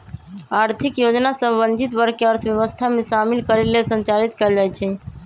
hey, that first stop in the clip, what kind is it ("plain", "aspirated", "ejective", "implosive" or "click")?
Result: aspirated